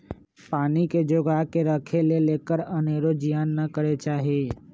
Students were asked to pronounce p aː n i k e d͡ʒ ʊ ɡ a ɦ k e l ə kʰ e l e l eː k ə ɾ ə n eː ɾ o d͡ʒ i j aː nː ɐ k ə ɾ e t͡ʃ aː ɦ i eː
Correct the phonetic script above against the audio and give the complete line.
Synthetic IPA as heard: p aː n i k e d͡ʒ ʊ ɡ a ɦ k e ɾ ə kʰ e l e l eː k ə ɾ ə n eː ɾ o d͡ʒ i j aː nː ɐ k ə ɾ e t͡ʃ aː ɦ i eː